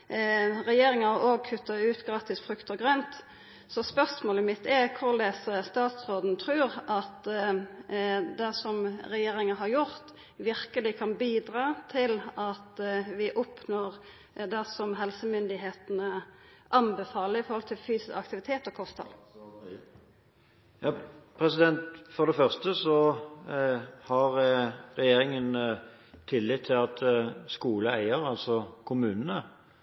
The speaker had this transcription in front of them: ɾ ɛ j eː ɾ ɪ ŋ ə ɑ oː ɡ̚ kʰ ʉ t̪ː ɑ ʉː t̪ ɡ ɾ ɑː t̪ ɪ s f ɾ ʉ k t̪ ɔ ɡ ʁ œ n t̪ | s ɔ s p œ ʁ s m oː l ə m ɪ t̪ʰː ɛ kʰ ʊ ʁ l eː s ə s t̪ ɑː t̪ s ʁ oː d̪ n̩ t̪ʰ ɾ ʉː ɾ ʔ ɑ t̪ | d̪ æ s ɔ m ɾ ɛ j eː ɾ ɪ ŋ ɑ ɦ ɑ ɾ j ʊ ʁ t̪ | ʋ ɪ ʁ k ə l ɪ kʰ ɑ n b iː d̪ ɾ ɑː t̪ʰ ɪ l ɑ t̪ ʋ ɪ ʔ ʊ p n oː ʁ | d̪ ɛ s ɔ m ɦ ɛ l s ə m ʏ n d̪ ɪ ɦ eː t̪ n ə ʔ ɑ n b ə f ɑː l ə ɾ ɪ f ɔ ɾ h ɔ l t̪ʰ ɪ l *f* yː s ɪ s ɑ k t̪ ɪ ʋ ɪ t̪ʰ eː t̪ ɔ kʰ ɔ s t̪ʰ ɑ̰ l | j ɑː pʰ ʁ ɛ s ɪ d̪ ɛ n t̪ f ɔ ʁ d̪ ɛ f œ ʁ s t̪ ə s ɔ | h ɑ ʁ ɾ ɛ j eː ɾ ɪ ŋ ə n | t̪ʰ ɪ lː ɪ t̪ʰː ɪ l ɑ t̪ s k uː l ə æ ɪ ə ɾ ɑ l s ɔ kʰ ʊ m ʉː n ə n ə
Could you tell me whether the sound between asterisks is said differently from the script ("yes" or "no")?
no